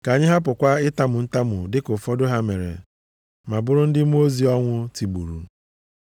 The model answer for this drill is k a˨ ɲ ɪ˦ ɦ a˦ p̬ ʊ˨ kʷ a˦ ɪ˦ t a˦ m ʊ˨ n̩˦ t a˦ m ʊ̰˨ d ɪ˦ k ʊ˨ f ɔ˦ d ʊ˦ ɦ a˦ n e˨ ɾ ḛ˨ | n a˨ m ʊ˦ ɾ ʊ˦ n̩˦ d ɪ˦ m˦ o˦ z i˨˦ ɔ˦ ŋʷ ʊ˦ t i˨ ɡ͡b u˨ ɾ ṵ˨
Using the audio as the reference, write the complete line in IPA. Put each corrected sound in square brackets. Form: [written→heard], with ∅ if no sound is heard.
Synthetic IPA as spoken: k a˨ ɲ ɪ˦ ɦ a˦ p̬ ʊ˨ kʷ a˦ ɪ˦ t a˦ m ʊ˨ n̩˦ t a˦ m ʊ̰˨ d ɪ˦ k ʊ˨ f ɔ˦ d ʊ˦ ɦ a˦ [n→m] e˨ ɾ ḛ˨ | [n→m] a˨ [m→b] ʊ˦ ɾ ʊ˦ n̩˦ d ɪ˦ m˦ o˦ z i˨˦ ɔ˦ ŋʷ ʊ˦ t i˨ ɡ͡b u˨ ɾ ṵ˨